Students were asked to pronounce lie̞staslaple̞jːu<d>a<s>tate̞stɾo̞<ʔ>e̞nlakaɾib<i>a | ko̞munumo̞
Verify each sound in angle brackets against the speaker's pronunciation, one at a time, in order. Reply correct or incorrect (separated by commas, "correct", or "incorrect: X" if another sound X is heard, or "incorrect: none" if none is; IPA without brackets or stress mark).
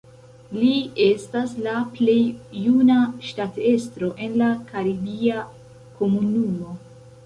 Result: incorrect: n, incorrect: ʃ, correct, correct